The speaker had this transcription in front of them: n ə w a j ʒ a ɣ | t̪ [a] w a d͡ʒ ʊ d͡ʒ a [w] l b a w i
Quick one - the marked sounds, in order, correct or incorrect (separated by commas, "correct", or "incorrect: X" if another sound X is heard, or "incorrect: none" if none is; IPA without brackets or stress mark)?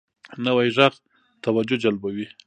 correct, incorrect: none